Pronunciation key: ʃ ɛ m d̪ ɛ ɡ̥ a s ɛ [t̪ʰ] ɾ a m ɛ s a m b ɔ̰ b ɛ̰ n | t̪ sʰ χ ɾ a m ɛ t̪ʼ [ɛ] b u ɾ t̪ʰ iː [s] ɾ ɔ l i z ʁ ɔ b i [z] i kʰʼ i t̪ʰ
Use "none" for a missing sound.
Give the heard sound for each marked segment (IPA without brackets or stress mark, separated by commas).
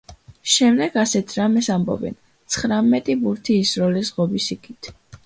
t̪ʰ, i, s, s